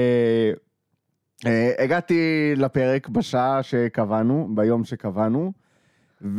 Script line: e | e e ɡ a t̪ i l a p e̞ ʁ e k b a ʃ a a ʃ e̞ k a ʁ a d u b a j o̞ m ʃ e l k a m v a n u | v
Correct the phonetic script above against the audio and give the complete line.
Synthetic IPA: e | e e ɡ a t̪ i l a p e̞ ʁ e k b a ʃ a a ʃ e̞ k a v a n u b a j o̞ m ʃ e k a v a n u | v